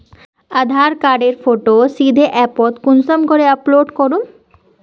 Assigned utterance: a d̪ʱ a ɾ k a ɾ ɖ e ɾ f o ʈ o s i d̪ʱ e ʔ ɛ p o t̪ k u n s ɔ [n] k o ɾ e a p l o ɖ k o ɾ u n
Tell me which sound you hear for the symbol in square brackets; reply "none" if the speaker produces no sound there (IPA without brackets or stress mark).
m